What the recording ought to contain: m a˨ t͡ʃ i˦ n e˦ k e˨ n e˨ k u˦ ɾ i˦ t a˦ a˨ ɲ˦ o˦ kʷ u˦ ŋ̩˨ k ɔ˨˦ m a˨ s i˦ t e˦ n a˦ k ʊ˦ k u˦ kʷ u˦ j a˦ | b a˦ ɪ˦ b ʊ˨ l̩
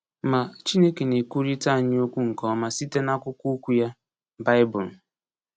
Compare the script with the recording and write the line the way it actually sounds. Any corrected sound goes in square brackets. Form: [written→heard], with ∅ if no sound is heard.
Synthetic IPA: m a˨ t͡ʃ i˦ n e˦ k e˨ n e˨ k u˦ ɾ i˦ t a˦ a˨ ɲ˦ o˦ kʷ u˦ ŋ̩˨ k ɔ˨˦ m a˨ s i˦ t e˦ n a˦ k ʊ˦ k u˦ kʷ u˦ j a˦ | b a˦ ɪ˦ b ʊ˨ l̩